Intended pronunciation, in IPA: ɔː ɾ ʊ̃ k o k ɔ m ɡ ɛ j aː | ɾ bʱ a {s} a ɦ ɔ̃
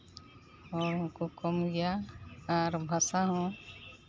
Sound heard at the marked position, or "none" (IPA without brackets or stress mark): s